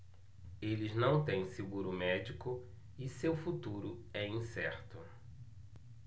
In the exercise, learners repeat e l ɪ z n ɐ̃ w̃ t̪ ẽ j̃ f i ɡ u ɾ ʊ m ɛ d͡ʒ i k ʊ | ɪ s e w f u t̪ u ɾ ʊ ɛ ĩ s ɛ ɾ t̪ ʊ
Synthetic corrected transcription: e l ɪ z n ɐ̃ w̃ t̪ ẽ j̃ s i ɡ u ɾ ʊ m ɛ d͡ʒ i k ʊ | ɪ s e w f u t̪ u ɾ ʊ ɛ ĩ s ɛ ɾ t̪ ʊ

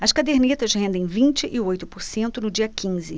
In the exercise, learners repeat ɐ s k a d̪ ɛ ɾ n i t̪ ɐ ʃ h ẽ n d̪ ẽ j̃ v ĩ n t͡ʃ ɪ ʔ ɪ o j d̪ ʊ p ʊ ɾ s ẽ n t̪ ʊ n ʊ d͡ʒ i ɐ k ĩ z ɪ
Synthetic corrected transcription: ɐ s k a d̪ e ɾ n i t̪ ɐ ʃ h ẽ n d̪ ẽ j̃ v ĩ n t͡ʃ ɪ ʔ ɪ o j t̪ ʊ p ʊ ɾ s ẽ n t̪ ʊ n ʊ d͡ʒ i ɐ k ĩ z ɪ

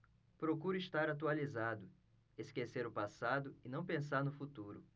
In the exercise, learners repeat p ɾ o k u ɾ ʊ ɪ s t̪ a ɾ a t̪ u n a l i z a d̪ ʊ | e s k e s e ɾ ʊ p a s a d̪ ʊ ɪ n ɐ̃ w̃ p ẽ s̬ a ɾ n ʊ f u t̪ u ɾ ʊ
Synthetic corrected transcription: p ɾ o k u ɾ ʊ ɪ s t̪ a ɾ a t̪ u a l i z a d̪ ʊ | e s k e s e ɾ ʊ p a s a d̪ ʊ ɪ n ɐ̃ w̃ p ẽ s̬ a ɾ n ʊ f u t̪ u ɾ ʊ

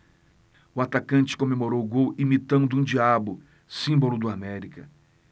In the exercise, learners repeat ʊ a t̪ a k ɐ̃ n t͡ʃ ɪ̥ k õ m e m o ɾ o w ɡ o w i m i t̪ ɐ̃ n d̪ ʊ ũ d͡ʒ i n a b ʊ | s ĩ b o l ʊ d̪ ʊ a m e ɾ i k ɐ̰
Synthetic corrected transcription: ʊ a t̪ a k ɐ̃ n t͡ʃ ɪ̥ k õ m e m o ɾ o w ɡ o w i m i t̪ ɐ̃ n d̪ ʊ ũ d͡ʒ i a b ʊ | s ĩ b o l ʊ d̪ ʊ a m ɛ ɾ i k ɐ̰

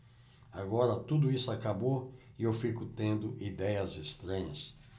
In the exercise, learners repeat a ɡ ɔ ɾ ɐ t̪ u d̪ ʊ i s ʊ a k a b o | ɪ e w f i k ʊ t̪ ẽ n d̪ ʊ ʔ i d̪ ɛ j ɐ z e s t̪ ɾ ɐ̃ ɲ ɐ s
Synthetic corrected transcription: a ɡ ɔ ɾ ɐ t̪ u d̪ ʊ i s ʊ a k a b o | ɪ e w f i k ʊ t̪ ẽ n d̪ ʊ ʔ i d̪ ɛ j ɐ z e s t̪ ɾ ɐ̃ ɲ ɐ s

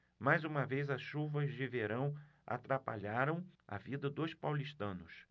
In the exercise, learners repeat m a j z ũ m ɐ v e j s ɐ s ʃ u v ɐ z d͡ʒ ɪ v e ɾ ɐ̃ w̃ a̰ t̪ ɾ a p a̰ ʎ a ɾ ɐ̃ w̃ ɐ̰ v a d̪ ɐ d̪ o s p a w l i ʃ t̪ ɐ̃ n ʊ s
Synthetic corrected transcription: m a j z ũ m ɐ v e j z ɐ s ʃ u v ɐ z d͡ʒ ɪ v e ɾ ɐ̃ w̃ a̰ t̪ ɾ a p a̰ ʎ a ɾ ɐ̃ w̃ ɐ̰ v i d̪ ɐ d̪ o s p a w l i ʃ t̪ ɐ̃ n ʊ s

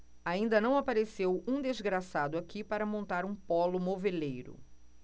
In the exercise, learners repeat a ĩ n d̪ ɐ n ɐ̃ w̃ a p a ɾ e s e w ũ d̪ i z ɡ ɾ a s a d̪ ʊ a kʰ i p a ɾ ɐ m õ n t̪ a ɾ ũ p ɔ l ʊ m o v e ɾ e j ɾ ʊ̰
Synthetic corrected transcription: a ĩ n d̪ ɐ n ɐ̃ w̃ a p a ɾ e s e w ũ d̪ e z ɡ ɾ a s a d̪ ʊ a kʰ i p a ɾ ɐ m õ n t̪ a ɾ ũ p ɔ l ʊ m o v e l e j ɾ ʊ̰

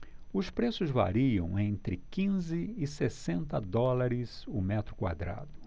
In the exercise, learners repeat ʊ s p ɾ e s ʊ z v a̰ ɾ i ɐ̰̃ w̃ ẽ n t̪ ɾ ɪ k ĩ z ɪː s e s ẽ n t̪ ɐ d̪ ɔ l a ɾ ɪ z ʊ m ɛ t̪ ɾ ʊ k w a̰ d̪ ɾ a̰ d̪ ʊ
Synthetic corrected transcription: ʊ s p ɾ e s ʊ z v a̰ ɾ i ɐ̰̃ w̃ ẽ n t̪ ɾ ɪ k ĩ z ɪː s e s ẽ n t̪ ɐ d̪ ɔ l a ɾ ɪ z ʊ m ɛ t̪ ɾ ʊ k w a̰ d̪ ɾ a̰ d̪ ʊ

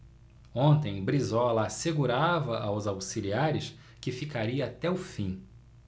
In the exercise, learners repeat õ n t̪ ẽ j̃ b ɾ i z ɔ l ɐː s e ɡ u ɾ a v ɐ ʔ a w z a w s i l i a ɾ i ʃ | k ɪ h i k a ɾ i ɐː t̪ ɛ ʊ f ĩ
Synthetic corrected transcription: õ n t̪ ẽ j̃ b ɾ i z ɔ l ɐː s e ɡ u ɾ a v ɐ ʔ a w z a w s i l i a ɾ ɪ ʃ | k ɪ f i k a ɾ i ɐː t̪ ɛ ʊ f ĩ

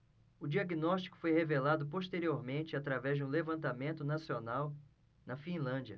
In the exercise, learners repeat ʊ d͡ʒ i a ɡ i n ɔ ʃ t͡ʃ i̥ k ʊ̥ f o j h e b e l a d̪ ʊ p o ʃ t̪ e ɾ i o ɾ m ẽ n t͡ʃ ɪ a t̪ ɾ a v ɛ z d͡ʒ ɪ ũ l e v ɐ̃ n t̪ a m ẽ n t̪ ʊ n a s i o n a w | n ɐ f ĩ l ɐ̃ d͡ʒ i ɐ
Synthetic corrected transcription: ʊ d͡ʒ i a ɡ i n ɔ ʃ t͡ʃ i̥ k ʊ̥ f o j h e v e l a d̪ ʊ p o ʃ t̪ e ɾ i o ɾ m ẽ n t͡ʃ ɪ a t̪ ɾ a v ɛ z d͡ʒ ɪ ũ l e v ɐ̃ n t̪ a m ẽ n t̪ ʊ n a s i o n a w | n ɐ f ĩ l ɐ̃ d͡ʒ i ɐ

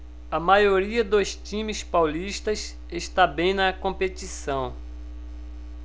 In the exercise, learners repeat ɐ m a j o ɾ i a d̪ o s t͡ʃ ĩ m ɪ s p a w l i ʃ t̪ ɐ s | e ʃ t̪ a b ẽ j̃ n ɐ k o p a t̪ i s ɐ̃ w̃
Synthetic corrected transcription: ɐ m a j o ɾ i ɐ d̪ o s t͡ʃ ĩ m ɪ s p a w l i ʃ t̪ ɐ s | e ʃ t̪ a b ẽ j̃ n ɐ k õ p e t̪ i s ɐ̃ w̃

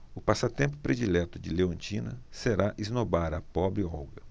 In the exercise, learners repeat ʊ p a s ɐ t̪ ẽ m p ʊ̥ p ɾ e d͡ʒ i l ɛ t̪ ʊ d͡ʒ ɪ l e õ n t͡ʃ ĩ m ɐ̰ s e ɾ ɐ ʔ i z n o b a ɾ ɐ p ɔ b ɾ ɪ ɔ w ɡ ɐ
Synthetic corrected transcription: ʊ p a s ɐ t̪ ẽ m p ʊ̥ p ɾ e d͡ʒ i l ɛ t̪ ʊ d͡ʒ ɪ l e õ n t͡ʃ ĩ n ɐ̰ s e ɾ a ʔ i z n o b a ɾ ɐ p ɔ b ɾ ɪ ɔ w ɡ ɐ

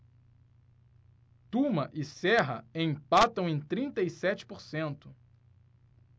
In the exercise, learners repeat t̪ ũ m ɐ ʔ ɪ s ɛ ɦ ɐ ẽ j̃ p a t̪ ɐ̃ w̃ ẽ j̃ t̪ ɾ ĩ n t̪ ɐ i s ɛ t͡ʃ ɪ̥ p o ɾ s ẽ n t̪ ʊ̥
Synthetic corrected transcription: t̪ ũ m ɐ ʔ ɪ s ɛ ɦ ɐ ẽ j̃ p a t̪ ɐ̃ w̃ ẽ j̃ t̪ ɾ ĩ n t̪ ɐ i s ɛ t͡ʃ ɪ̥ p o ɾ s ẽ n t̪ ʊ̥

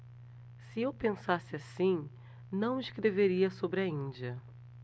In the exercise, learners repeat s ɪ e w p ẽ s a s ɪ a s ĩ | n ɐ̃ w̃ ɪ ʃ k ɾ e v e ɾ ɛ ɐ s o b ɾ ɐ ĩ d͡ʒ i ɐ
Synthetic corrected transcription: s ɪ e w p ẽ s a s ɪ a s ĩ | n ɐ̃ w̃ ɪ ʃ k ɾ e v e ɾ i ɐ s o b ɾ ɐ ĩ d͡ʒ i ɐ

